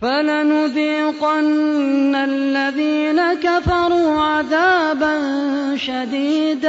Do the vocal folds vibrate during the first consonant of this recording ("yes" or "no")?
no